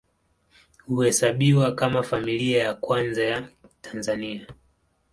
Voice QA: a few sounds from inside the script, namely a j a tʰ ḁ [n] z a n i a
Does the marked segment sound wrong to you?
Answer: no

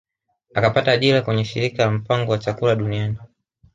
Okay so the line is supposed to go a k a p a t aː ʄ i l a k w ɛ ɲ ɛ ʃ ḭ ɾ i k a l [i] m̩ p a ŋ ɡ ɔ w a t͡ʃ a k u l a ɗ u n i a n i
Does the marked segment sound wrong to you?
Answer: yes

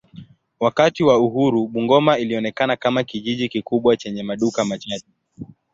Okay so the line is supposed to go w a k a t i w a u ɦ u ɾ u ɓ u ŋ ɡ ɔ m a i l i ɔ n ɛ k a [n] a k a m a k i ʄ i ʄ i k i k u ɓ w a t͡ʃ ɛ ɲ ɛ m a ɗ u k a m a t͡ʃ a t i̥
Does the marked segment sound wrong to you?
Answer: no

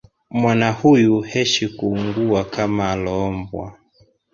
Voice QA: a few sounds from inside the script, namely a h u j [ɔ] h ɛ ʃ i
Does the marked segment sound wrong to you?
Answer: yes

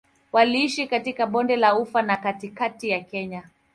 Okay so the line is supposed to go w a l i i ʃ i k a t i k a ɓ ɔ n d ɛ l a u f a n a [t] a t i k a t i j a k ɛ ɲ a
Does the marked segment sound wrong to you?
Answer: yes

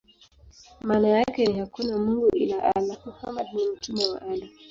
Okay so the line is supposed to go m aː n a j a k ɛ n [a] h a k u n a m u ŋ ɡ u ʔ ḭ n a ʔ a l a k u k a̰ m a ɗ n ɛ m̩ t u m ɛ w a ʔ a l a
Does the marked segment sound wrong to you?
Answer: yes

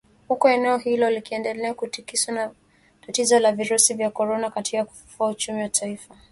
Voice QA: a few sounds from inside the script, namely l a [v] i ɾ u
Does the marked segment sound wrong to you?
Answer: no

